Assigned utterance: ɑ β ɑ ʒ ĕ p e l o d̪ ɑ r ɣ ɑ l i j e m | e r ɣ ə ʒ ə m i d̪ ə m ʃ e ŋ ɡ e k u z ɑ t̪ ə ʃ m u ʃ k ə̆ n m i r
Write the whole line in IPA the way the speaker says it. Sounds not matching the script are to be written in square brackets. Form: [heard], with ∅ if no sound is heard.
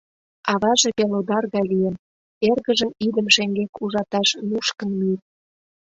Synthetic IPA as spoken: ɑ β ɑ ʒ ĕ p e l o d̪ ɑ r ɣ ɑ l i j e m | e r ɣ ə ʒ ə m i d̪ ə m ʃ e ŋ ɡ e k u [ʒ] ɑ t̪ [ɑ] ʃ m u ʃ k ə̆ n m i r